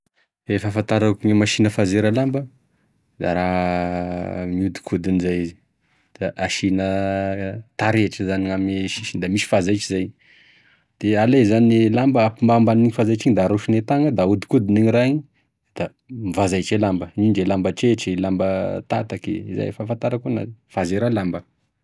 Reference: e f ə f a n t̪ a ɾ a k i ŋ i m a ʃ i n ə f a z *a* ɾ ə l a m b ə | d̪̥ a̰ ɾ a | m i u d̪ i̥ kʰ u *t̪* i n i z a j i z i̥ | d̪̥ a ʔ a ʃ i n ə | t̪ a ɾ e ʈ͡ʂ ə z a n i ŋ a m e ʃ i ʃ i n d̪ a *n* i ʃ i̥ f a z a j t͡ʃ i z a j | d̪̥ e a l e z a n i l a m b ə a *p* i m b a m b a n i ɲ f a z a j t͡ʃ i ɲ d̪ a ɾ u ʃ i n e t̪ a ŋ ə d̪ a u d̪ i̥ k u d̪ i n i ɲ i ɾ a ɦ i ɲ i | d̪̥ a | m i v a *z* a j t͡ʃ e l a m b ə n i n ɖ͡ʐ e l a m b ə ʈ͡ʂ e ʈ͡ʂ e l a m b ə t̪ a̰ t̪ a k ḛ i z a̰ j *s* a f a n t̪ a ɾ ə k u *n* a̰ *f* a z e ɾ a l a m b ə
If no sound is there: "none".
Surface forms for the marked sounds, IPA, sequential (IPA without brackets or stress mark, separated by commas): e, d̪, m, p, z, f, n, f